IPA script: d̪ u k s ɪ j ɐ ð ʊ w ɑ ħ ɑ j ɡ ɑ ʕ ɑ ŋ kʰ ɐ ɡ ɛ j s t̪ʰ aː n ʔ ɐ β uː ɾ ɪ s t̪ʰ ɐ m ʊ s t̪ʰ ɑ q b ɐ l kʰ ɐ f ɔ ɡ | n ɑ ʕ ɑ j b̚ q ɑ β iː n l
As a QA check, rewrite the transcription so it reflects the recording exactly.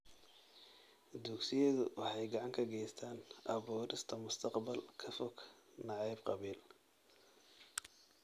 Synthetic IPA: d̪ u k s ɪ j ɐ ð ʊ w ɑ ħ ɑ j ɡ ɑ ʕ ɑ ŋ kʰ ɐ ɡ ɛ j s t̪ʰ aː n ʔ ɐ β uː ɾ ɪ s t̪ʰ ɐ m ʊ s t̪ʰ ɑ q b ɐ l kʰ ɐ f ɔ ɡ | n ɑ ʕ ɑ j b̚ q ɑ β iː l